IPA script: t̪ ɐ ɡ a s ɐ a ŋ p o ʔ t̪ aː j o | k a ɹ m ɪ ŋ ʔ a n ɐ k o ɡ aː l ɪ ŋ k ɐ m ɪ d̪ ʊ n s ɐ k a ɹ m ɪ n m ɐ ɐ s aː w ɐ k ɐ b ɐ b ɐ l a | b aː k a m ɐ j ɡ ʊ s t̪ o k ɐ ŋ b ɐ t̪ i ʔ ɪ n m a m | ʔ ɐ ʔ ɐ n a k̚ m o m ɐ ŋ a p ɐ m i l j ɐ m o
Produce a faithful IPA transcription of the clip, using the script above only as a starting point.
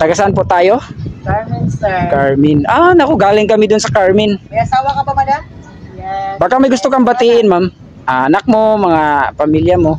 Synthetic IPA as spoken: t̪ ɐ ɡ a s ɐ a n p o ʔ t̪ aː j o | k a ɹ m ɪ n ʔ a n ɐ k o ɡ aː l ɪ ŋ k ɐ m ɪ d̪ ʊ n s ɐ k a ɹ m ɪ n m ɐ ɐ s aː w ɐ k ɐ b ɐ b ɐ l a | b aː k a m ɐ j ɡ ʊ s t̪ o k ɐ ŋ b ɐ t̪ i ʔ ɪ n m a m | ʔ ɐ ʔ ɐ n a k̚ m o m ɐ ŋ a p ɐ m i l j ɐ m o

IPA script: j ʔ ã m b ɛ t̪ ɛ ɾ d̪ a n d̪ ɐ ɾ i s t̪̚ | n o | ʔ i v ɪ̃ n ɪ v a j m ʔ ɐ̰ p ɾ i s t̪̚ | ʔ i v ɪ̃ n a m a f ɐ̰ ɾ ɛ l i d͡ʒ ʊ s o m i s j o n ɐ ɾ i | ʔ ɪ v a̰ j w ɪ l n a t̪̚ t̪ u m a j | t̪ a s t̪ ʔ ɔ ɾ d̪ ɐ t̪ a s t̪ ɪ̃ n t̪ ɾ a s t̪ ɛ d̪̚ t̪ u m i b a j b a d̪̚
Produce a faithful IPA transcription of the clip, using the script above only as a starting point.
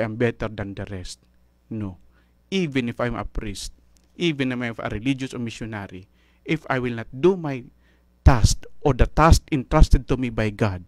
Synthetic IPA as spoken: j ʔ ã m b ɛ t̪ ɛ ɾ d̪ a n d̪ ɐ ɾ ɛ s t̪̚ | n o | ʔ i v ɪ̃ n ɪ f a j m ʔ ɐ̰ p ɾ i s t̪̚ | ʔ i v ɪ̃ n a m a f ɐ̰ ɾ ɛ l i d͡ʒ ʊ s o m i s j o n a ɾ i | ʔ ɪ f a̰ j w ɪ l n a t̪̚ d̪ u m a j | t̪ a s t̪ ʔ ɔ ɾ d̪ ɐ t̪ a s t̪ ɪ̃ n t̪ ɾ a s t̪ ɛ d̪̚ t̪ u m i b a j ɡ a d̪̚

